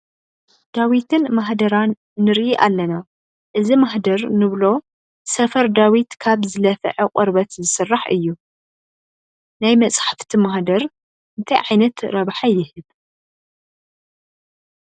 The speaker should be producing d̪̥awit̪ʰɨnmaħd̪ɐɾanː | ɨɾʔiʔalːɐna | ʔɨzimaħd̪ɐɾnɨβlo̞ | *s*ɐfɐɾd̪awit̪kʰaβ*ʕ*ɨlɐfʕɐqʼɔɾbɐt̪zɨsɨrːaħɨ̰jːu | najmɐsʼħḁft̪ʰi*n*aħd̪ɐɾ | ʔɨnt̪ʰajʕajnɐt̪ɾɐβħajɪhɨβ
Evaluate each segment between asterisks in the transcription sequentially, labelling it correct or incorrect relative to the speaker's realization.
correct, incorrect: z, incorrect: m

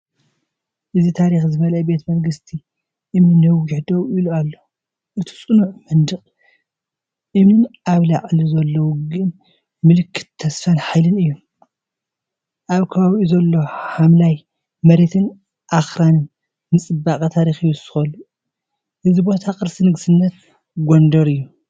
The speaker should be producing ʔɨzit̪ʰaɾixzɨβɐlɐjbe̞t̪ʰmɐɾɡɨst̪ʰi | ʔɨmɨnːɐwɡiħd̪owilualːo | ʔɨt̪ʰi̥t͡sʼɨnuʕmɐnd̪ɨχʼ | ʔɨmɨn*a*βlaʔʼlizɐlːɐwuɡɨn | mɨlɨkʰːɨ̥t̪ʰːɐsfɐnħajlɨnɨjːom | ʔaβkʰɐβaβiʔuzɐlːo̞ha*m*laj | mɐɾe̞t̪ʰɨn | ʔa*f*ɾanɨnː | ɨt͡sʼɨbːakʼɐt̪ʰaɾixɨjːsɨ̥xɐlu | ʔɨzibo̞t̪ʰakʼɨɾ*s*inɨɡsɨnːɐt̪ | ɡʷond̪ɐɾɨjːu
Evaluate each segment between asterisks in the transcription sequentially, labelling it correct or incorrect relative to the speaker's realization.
correct, correct, incorrect: x, correct

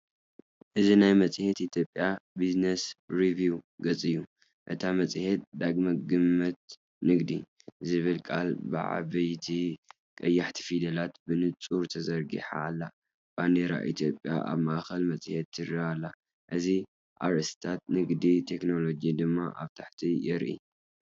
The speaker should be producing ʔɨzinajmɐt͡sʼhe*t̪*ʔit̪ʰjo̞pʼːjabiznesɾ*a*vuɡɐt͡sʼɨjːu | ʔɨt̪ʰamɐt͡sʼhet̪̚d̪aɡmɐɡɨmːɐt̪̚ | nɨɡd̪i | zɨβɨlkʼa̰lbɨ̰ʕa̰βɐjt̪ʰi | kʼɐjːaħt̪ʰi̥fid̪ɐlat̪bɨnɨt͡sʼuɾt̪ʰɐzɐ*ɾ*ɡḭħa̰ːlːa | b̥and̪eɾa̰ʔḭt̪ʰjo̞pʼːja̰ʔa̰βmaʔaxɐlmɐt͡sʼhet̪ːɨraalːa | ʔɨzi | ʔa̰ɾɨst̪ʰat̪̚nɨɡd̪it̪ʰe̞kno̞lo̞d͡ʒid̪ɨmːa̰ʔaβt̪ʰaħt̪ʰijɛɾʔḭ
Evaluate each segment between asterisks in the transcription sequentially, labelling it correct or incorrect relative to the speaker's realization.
correct, incorrect: i, correct

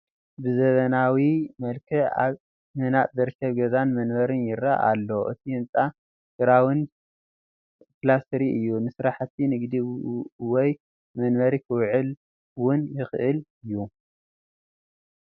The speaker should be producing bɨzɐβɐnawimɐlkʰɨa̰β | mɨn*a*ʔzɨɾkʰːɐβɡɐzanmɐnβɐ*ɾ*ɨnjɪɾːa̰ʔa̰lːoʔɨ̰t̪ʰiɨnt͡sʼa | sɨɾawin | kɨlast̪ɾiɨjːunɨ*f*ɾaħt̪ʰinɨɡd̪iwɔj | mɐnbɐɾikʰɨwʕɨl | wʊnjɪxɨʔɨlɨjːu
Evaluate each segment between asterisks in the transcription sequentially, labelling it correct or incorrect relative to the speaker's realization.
correct, correct, incorrect: s

